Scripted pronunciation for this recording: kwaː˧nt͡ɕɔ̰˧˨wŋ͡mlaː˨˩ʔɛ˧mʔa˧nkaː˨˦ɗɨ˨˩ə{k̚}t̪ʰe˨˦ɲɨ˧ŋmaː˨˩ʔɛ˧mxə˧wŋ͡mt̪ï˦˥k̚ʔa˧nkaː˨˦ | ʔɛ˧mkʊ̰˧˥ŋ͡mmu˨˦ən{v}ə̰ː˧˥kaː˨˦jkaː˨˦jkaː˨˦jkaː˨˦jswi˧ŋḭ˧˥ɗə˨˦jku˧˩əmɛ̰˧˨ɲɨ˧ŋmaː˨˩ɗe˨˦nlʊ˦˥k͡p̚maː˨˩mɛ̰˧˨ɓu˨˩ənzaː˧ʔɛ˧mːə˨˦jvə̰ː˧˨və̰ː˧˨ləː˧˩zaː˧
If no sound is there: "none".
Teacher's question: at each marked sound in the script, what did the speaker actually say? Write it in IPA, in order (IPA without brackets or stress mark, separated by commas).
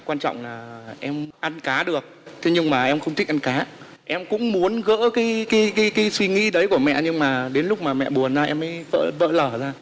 k̚, ɣ